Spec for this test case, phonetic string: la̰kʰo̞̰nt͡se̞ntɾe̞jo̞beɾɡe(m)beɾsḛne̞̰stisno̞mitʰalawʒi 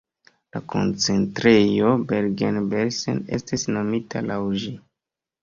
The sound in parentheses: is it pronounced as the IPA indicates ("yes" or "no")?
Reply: no